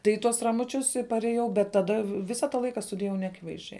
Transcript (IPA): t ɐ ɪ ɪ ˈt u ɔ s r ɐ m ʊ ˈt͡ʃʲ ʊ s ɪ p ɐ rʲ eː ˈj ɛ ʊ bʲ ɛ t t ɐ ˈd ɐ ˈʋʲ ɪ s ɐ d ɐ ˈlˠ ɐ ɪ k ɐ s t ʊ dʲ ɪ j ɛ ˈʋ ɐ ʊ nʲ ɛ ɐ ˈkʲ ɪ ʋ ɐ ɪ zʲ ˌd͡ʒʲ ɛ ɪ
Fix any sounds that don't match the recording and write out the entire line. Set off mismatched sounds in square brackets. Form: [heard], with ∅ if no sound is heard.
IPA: t ɐ ɪ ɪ ˈt u ɔ s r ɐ m ʊ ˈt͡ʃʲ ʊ s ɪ p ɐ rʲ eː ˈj ɛ ʊ bʲ ɛ t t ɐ ˈd ɐ ˈʋʲ ɪ s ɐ [t] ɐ ˈlˠ ɐ ɪ k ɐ s t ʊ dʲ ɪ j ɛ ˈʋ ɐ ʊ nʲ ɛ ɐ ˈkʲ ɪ ʋ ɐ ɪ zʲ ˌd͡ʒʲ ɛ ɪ